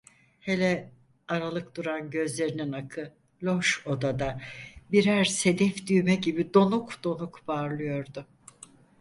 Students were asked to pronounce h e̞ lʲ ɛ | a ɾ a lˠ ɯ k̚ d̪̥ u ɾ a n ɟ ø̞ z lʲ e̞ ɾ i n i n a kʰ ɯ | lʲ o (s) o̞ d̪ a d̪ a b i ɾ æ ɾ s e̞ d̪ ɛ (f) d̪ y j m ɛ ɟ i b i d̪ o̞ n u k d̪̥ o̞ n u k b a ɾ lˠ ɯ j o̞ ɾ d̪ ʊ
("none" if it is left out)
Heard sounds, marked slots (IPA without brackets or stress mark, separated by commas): ʃ, f